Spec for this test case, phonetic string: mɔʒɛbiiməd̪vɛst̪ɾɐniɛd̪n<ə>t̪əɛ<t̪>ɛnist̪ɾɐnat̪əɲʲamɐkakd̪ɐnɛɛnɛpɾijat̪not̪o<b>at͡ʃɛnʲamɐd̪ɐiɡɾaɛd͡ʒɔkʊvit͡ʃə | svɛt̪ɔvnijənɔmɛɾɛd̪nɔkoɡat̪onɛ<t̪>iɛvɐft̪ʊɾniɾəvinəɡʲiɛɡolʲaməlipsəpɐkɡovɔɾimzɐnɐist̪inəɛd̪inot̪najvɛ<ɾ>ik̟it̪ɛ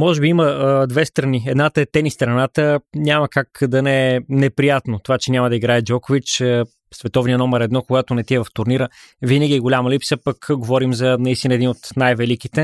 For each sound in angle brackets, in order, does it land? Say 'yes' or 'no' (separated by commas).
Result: no, yes, no, yes, no